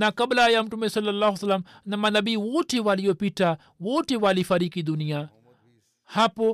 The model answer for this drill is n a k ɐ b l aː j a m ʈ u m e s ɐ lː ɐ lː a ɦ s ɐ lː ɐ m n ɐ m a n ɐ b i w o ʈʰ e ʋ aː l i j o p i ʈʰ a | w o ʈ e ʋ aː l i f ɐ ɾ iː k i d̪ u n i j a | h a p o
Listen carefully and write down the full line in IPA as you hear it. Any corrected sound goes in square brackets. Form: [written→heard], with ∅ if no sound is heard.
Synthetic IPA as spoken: n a k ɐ b l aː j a m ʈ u m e s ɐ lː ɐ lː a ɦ s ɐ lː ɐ m n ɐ m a n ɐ b i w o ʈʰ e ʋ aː l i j o p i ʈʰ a | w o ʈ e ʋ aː l i f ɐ ɾ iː k i d̪ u n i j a | h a p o